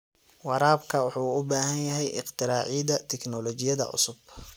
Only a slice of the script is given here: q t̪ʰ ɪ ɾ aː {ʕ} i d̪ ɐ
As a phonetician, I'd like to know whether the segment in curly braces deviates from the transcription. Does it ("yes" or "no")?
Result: no